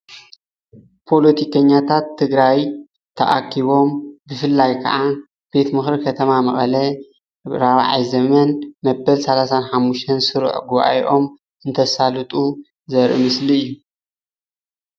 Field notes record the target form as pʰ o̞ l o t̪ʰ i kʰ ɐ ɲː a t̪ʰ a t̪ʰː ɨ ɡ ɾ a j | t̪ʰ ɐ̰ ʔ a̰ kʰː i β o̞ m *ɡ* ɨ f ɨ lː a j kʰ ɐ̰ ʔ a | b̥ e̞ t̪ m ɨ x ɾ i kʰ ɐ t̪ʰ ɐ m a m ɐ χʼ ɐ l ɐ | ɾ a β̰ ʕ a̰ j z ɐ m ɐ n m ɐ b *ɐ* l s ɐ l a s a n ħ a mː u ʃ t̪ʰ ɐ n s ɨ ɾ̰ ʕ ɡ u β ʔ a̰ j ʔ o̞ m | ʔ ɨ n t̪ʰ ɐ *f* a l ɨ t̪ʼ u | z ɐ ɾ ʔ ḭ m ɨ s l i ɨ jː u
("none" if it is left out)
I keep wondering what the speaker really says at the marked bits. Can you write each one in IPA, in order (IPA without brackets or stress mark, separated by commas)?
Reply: b, ɐ, s